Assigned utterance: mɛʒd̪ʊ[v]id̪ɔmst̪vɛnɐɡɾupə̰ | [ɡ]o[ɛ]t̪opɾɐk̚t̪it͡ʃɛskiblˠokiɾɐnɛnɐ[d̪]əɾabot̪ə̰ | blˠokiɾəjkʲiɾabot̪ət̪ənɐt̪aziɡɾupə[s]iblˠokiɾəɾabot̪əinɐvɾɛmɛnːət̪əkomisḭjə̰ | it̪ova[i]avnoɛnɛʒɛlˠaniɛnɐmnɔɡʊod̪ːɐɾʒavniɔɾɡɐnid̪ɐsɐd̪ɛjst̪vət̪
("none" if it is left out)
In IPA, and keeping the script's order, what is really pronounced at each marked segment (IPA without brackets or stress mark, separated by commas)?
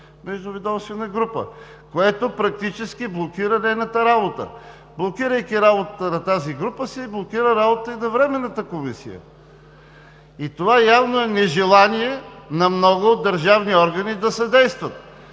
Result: v, k, ɛ, t̪, s, j